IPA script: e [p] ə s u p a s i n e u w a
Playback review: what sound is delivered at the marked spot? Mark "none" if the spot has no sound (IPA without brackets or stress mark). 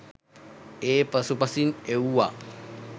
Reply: p